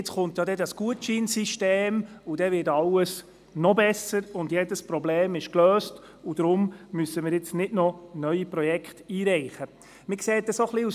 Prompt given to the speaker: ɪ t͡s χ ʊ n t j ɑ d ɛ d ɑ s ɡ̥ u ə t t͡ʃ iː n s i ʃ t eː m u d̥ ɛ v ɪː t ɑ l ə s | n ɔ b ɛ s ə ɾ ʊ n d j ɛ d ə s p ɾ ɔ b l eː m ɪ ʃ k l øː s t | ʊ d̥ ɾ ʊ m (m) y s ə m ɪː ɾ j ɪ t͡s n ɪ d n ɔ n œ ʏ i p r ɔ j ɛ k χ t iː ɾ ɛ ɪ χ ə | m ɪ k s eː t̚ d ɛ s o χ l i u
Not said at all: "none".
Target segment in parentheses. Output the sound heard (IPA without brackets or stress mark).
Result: m